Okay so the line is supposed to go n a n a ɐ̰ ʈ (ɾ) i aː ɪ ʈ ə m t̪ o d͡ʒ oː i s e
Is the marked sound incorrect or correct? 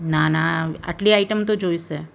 incorrect